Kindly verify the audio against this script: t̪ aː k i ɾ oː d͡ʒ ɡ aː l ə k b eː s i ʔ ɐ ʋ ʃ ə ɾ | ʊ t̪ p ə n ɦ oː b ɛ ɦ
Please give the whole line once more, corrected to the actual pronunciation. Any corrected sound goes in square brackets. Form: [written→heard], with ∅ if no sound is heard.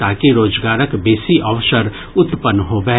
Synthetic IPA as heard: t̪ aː k i ɾ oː d͡ʒ ɡ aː [l→ɾ] ə k b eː s i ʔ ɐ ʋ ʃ ə ɾ | ʊ t̪ p ə n ɦ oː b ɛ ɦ